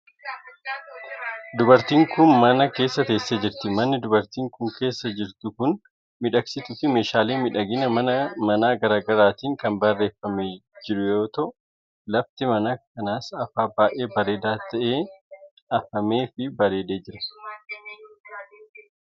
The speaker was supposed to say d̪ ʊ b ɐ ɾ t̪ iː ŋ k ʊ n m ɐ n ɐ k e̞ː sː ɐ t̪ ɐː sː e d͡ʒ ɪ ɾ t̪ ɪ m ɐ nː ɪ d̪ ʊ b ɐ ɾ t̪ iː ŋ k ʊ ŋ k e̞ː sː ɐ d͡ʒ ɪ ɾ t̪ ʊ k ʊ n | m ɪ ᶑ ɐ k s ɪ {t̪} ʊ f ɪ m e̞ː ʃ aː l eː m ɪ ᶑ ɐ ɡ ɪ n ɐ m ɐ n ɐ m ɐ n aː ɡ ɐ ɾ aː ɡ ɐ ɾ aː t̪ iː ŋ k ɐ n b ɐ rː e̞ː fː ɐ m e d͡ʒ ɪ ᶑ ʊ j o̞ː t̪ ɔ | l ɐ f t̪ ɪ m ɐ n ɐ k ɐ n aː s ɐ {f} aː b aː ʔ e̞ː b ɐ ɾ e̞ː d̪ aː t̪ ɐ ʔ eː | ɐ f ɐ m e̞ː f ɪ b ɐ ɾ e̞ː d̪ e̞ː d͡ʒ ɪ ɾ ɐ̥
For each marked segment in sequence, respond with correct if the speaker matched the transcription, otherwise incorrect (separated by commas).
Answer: correct, correct